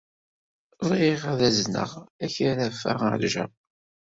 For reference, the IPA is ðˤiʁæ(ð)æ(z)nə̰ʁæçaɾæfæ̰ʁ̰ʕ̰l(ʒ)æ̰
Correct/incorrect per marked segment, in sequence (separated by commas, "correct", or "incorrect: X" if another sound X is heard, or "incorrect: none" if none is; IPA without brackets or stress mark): correct, correct, correct